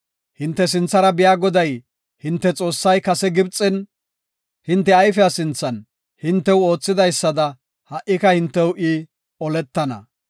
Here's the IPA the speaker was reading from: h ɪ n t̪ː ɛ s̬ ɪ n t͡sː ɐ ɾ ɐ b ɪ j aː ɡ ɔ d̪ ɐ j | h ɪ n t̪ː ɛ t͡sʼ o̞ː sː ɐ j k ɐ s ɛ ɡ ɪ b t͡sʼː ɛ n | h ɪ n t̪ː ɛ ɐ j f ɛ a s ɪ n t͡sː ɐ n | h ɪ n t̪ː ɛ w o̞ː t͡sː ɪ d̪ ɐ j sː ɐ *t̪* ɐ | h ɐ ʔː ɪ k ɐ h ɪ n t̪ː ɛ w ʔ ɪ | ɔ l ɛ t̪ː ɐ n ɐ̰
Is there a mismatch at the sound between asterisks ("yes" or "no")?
yes